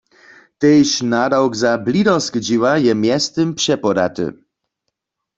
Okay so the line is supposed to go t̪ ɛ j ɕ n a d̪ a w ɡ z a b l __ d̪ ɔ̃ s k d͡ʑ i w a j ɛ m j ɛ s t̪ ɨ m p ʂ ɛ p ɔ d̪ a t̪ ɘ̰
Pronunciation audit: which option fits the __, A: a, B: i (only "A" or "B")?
B